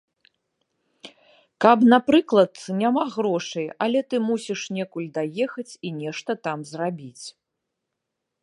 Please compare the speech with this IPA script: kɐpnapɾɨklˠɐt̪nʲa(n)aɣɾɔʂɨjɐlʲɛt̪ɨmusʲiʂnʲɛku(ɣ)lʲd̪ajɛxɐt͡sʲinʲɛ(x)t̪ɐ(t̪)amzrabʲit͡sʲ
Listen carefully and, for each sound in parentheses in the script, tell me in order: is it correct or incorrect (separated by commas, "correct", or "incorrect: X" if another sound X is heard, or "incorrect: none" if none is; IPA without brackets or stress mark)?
incorrect: m, incorrect: none, incorrect: ʂ, correct